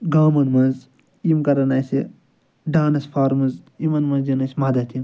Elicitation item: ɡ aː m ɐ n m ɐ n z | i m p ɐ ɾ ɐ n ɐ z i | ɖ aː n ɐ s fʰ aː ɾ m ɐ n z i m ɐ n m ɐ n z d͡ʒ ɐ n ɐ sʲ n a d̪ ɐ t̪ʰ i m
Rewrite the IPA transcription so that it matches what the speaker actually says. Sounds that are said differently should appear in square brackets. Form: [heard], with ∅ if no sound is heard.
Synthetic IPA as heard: ɡ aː m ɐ n m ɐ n z | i m [k] ɐ ɾ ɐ n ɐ [s] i | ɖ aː n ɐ s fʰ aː ɾ m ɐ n z i m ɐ n m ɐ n z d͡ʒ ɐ n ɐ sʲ [m] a d̪ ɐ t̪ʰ i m